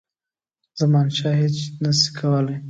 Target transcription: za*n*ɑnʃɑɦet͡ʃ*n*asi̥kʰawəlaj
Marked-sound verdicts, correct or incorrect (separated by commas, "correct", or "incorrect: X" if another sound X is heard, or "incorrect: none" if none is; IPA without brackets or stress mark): incorrect: m, correct